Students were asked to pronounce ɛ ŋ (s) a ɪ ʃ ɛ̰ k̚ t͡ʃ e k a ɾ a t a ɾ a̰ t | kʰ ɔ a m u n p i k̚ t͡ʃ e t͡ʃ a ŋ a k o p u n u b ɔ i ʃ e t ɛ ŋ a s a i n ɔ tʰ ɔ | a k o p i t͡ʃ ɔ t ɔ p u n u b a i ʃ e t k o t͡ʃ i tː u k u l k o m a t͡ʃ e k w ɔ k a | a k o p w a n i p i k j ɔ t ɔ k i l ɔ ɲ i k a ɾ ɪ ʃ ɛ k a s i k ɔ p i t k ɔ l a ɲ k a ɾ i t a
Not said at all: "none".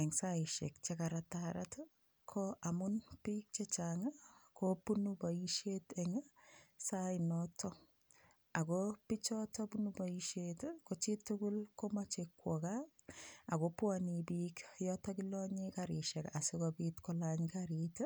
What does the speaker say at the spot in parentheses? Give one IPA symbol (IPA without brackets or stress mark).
s